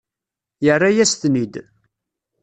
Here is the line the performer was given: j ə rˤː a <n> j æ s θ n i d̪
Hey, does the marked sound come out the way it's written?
no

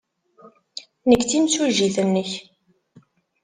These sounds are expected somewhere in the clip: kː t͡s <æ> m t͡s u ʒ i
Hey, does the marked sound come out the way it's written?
no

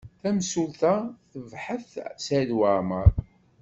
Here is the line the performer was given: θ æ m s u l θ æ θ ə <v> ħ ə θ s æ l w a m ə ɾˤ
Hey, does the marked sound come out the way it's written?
yes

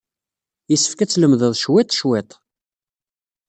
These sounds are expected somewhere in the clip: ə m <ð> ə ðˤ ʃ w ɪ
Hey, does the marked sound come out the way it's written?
yes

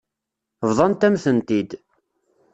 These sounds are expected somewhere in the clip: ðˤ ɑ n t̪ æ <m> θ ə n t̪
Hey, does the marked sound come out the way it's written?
yes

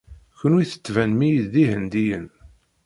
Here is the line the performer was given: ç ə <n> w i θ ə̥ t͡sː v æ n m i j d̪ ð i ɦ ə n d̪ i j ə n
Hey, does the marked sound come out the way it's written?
yes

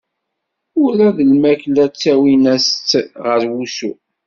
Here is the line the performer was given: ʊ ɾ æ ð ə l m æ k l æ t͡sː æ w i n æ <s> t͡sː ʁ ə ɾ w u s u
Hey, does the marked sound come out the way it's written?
yes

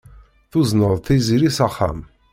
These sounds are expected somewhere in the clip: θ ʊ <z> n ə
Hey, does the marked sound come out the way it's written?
yes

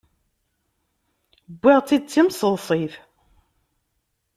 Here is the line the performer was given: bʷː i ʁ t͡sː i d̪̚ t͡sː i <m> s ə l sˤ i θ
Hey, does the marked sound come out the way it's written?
yes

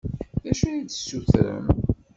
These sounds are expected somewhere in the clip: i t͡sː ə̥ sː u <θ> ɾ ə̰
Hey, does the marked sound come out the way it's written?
yes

